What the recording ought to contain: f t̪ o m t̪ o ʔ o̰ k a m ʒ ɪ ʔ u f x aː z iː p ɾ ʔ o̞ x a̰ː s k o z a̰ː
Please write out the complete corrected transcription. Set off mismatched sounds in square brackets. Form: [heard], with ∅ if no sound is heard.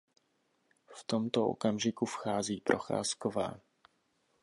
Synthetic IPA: f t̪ o m t̪ o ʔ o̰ k a m ʒ ɪ [k] u f x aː z iː p ɾ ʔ o̞ x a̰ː s k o [v] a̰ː